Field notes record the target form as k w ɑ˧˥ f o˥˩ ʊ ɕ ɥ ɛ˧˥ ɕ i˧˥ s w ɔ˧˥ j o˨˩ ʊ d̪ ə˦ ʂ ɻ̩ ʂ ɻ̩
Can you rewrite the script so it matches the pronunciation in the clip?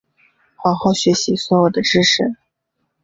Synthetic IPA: x w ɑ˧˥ x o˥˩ ʊ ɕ ɥ ɛ˧˥ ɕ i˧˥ s w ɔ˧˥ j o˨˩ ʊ d̪ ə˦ ʈ͡ʂ ɻ̩ ʂ ɻ̩